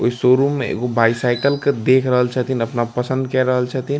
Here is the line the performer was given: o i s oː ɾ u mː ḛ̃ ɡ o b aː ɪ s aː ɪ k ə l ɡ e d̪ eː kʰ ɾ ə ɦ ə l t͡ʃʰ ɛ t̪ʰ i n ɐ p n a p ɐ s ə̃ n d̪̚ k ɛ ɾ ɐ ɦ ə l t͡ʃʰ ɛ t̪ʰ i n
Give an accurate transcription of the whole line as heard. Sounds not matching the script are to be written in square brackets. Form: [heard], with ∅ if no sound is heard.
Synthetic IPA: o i s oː ɾ u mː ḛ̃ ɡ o b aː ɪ s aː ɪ k ə l [k] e d̪ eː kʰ ɾ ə ɦ ə l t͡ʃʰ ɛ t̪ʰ i n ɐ p n a p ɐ s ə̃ n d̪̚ k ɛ ɾ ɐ ɦ ə l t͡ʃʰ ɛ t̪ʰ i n